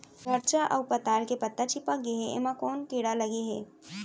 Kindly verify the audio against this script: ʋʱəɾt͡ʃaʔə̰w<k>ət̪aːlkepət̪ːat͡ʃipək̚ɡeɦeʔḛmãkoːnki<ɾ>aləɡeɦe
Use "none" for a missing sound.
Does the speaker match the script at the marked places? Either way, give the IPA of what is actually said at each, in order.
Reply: p, ɽ

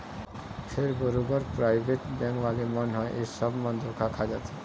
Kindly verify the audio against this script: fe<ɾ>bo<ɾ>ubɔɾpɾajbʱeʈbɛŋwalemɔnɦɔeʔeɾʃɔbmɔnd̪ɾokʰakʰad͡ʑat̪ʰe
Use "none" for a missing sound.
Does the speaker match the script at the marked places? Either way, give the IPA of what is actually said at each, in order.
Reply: ɾ, ɾ

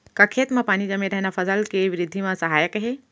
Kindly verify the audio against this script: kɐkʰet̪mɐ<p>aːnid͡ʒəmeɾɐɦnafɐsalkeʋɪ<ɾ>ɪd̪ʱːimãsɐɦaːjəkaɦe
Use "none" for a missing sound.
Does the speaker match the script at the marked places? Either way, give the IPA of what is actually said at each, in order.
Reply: p, ɾ

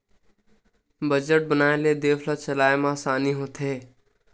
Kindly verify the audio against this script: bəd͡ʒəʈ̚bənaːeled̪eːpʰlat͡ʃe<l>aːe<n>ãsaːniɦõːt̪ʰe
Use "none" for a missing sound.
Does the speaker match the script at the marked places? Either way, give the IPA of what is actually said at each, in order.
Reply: l, m

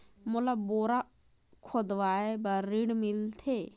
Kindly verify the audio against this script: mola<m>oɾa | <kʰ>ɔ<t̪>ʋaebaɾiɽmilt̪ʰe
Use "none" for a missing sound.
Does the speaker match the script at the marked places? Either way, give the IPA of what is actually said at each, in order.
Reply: b, kʰ, d̪

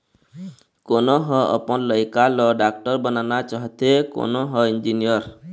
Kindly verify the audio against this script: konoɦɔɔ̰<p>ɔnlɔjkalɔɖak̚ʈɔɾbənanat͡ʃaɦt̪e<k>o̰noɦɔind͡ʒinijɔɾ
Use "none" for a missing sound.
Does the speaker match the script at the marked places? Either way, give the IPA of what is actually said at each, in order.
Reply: p, k

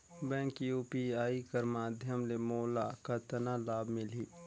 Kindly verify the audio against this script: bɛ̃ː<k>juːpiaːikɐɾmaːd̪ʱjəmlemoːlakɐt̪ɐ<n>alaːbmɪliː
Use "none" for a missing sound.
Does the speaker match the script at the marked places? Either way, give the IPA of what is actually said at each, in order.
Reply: k, n

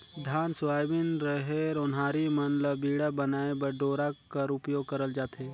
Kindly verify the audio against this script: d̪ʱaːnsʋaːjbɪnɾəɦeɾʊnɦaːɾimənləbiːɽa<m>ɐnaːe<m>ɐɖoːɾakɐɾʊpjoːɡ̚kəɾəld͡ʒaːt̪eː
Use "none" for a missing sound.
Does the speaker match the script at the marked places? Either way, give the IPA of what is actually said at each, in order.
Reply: b, b

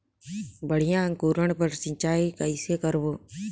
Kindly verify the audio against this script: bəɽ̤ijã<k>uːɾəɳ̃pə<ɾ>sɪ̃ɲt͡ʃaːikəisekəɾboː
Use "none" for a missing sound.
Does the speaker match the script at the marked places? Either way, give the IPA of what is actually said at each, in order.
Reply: k, ɾ

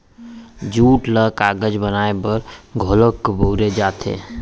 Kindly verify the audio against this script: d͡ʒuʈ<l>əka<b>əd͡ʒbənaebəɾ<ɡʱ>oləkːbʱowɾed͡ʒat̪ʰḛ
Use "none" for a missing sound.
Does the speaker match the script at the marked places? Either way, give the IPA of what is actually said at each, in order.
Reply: l, ɡ, ɡʱ

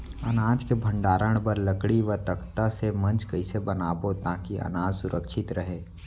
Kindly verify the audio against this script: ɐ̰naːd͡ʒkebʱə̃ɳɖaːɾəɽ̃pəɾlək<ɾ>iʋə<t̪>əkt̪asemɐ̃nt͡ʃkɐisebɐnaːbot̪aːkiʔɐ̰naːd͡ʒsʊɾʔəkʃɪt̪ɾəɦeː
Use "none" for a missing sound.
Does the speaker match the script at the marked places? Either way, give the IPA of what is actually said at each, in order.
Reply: ɽ, t̪

